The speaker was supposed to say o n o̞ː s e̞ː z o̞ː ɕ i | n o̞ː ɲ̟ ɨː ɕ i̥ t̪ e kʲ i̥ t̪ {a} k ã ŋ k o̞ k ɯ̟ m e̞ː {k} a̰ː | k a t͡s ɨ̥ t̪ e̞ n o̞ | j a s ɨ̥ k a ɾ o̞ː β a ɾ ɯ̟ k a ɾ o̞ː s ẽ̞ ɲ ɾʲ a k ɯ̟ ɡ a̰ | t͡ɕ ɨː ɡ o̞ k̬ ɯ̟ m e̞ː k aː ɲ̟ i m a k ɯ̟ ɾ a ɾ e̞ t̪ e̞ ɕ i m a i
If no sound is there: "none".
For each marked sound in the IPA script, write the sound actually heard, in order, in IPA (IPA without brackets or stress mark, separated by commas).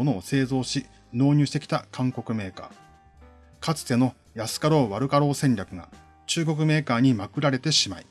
a, k